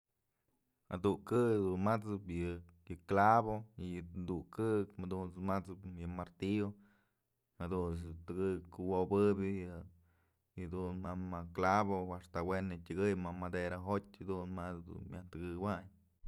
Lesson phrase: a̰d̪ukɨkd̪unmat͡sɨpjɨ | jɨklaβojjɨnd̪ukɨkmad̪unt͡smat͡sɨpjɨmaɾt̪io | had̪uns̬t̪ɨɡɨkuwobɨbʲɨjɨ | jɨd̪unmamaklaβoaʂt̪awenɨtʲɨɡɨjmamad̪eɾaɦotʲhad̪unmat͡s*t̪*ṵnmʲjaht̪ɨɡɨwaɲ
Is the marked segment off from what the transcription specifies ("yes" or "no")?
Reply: yes